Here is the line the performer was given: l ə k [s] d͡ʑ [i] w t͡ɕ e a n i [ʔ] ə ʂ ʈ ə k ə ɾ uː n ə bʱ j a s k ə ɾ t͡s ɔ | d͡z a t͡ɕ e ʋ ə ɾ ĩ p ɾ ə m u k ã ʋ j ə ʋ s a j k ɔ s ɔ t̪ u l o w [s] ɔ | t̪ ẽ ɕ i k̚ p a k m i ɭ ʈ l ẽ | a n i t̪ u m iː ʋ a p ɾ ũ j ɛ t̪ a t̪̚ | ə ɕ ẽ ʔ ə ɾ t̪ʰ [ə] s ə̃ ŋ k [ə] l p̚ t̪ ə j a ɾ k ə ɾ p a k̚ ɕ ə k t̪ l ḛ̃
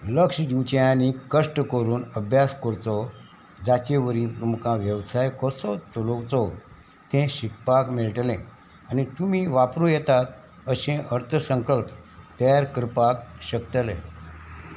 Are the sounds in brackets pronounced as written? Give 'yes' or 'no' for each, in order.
no, yes, no, no, yes, yes

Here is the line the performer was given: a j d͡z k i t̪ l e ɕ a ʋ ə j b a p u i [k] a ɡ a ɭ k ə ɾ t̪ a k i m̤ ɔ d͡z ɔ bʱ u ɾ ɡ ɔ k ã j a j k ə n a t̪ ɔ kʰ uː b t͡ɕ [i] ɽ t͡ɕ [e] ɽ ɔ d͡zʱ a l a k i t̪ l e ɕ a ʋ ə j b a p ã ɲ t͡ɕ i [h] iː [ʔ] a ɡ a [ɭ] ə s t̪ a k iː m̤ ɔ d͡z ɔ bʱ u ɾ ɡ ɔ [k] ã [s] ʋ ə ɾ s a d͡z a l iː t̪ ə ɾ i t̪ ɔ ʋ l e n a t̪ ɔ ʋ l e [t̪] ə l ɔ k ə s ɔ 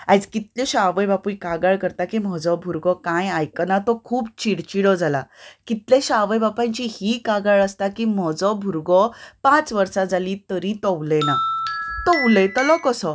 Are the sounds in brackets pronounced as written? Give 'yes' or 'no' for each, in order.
yes, yes, no, yes, no, yes, no, no, yes

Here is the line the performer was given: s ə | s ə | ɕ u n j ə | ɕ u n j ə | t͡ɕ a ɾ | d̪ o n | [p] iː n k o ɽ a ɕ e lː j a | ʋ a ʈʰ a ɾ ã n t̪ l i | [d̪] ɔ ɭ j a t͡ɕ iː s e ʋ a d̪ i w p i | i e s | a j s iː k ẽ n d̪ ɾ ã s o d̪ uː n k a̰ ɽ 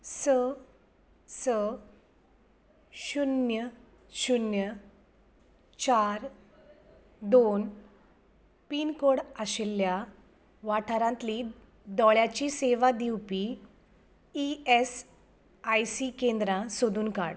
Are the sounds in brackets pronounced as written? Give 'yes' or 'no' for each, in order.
yes, yes

